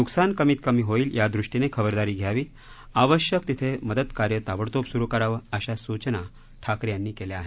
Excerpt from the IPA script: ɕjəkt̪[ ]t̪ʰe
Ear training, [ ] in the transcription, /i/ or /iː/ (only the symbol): i